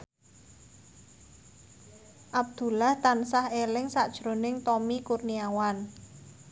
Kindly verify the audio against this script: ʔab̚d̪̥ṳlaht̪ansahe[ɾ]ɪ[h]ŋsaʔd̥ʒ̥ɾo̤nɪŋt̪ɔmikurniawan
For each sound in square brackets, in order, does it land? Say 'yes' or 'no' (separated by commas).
no, no